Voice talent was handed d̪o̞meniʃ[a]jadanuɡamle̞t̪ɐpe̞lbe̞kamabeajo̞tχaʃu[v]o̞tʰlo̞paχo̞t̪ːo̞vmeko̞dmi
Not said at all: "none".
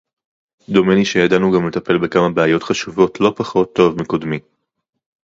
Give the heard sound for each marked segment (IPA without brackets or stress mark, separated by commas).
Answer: e, v